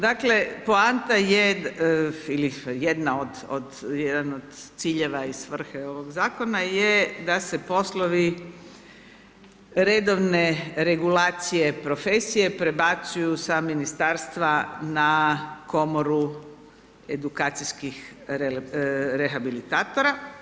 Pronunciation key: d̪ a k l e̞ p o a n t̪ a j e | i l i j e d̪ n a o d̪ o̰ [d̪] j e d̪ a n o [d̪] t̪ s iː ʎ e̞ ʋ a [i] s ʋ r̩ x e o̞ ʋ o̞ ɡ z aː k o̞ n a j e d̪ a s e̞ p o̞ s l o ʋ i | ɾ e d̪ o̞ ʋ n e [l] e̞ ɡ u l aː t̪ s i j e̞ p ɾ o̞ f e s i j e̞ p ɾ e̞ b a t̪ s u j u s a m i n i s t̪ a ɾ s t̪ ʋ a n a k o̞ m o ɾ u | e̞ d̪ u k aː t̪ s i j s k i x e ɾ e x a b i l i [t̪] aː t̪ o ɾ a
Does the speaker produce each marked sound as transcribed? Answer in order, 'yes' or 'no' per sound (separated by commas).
yes, yes, yes, no, yes